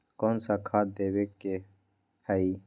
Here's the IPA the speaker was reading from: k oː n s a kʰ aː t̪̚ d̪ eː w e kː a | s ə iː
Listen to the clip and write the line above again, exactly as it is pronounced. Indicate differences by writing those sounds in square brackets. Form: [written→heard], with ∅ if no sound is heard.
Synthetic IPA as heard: k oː n s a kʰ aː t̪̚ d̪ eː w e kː [a→e] | [s→h] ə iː